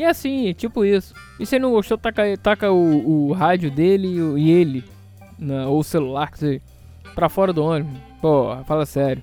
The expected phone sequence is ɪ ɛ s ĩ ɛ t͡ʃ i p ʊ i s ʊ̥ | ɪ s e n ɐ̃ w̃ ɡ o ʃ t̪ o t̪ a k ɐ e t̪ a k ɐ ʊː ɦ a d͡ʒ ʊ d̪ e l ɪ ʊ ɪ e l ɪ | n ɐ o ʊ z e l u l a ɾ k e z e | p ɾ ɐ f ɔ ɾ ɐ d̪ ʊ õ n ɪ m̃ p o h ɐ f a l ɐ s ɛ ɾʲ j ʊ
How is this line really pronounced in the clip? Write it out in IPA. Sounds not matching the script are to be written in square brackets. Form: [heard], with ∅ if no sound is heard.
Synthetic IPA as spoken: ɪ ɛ s ĩ ɛ t͡ʃ i p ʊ i s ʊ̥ | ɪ s e n ɐ̃ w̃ ɡ o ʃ t̪ o t̪ a k ɐ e t̪ a k ɐ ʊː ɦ a d͡ʒ ʊ d̪ e l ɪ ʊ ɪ e l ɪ | n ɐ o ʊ [s] e l u l a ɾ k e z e | p ɾ ɐ f ɔ ɾ ɐ d̪ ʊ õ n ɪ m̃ p o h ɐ f a l ɐ s ɛ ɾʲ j ʊ